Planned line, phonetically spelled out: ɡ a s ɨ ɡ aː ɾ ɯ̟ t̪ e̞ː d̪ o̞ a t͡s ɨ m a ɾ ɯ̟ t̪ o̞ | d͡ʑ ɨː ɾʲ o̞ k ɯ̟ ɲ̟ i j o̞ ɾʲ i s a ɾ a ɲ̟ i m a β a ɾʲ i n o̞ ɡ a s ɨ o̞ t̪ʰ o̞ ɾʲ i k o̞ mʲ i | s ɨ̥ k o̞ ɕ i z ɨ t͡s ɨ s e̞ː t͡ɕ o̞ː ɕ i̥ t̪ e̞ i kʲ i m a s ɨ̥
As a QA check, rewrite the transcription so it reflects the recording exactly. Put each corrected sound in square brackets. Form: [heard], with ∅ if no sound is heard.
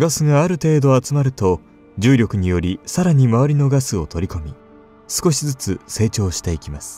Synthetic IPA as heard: ɡ a s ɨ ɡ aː ɾ ɯ̟ t̪ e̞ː d̪ o̞ a t͡s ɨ m a ɾ ɯ̟ t̪ o̞ | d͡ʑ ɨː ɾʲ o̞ k ɯ̟ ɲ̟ i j o̞ ɾʲ i s a ɾ a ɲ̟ i m a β a ɾʲ i n o̞ ɡ a s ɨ o̞ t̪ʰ o̞ ɾʲ i k o̞ mʲ i | s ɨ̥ k o̞ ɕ i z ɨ t͡s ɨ s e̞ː t͡ɕ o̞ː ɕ i̥ t̪ e̞ i kʲ i m a s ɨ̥